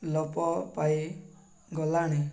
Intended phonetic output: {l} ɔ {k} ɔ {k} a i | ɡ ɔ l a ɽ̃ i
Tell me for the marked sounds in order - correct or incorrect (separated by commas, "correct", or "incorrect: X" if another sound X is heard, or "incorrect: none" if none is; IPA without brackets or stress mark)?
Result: correct, incorrect: p, incorrect: p